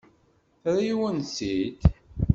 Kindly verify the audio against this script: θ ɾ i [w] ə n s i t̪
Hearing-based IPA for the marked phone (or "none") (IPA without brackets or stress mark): w